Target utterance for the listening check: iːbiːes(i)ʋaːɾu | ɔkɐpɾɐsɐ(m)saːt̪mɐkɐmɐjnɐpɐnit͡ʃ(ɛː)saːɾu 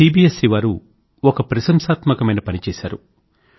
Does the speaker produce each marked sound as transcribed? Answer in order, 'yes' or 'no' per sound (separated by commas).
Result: yes, yes, yes